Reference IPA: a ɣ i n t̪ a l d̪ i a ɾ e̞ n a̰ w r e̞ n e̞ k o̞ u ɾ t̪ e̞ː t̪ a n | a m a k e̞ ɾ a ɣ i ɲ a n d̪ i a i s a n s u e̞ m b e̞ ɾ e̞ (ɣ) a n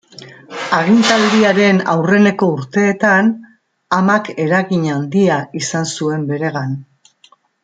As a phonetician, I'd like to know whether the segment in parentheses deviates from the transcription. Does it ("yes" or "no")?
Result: no